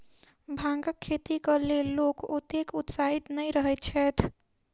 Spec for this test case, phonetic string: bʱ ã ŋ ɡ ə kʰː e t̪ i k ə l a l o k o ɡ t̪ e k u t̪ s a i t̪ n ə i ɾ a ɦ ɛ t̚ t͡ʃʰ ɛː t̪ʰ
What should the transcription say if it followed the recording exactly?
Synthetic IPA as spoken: bʱ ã ŋ ɡ ə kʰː e t̪ i k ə l e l o k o t̪ e k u t̪ s a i t̪ n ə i ɾ ə ɦ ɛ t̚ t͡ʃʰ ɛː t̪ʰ